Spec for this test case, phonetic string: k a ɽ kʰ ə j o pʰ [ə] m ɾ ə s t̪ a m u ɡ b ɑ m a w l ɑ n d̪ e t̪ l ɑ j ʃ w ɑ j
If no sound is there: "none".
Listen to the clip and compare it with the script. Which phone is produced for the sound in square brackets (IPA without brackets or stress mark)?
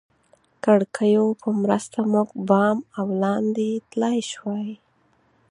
ə